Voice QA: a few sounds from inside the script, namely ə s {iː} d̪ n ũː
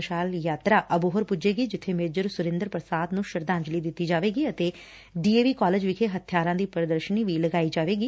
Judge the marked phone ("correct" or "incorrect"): incorrect